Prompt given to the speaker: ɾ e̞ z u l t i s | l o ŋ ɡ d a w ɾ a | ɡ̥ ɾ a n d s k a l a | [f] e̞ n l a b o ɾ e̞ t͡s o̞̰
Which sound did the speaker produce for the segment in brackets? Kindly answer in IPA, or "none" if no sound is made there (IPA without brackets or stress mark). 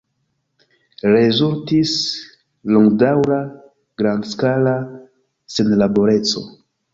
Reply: s